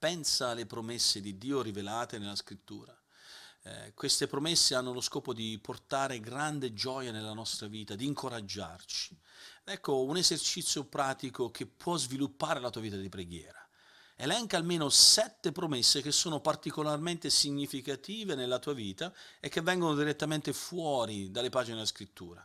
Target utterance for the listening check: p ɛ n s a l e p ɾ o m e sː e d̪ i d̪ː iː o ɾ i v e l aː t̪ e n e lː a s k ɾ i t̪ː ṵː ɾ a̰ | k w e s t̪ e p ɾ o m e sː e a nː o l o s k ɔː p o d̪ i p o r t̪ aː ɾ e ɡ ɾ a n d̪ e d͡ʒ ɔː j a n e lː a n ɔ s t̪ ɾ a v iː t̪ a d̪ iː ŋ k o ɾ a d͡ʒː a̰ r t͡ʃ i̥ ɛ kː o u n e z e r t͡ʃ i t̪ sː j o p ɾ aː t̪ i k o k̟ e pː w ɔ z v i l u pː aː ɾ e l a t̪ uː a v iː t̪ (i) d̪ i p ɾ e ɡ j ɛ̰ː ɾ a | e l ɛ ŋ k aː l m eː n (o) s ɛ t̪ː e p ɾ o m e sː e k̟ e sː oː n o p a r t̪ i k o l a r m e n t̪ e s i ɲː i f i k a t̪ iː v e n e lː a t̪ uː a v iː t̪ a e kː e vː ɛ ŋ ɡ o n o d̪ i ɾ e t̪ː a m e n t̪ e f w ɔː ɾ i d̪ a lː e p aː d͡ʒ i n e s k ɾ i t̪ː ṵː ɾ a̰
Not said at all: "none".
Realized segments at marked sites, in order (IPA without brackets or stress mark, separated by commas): a, o